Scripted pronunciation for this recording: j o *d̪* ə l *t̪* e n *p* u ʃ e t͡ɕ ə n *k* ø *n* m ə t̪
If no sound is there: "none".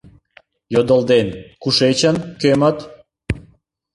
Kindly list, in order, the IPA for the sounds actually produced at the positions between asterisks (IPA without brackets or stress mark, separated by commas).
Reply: d̪, d̪, k, k, none